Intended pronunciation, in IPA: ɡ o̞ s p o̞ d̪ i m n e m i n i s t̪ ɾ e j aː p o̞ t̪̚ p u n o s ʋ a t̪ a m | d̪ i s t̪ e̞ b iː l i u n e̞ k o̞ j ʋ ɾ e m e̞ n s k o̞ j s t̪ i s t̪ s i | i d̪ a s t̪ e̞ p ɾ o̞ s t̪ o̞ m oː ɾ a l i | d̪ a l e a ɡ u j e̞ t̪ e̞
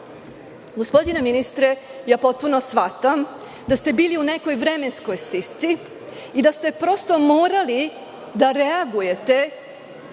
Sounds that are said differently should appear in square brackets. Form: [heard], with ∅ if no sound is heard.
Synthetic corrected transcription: ɡ o̞ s p o̞ d̪ i [∅] n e m i n i s t̪ ɾ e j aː p o̞ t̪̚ p u n o s ʋ a t̪ a m | d̪ [a] s t̪ e̞ b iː l i u n e̞ k o̞ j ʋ ɾ e m e̞ n s k o̞ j s t̪ i s t̪ s i | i d̪ a s t̪ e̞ p ɾ o̞ s t̪ o̞ m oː ɾ a l i | d̪ a [ɾ] e a ɡ u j e̞ t̪ e̞